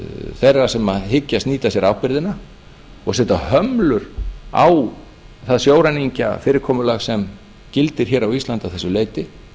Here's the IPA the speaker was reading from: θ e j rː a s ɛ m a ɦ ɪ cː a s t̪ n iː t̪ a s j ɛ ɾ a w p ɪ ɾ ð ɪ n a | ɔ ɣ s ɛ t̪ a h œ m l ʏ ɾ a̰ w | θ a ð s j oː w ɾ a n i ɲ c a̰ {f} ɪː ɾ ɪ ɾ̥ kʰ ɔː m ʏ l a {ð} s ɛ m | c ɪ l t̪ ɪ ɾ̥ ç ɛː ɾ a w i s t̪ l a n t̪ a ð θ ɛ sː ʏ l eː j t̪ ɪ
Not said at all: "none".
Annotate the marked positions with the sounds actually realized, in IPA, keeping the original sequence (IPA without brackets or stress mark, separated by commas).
f, ɣ